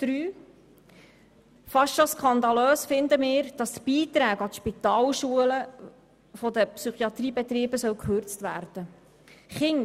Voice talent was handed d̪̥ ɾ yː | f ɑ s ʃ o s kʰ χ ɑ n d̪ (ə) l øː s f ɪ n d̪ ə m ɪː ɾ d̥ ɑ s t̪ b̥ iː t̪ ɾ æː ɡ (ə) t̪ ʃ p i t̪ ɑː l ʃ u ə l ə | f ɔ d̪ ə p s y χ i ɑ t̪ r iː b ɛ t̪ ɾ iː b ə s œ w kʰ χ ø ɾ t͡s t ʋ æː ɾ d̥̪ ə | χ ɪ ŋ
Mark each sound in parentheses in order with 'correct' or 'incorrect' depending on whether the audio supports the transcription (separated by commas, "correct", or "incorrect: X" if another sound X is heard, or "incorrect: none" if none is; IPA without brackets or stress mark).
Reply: incorrect: ɑ, incorrect: ɑ